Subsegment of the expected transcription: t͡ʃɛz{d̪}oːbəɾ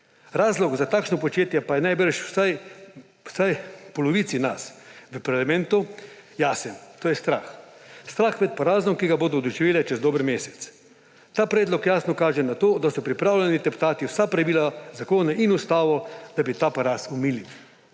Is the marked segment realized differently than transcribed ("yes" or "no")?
no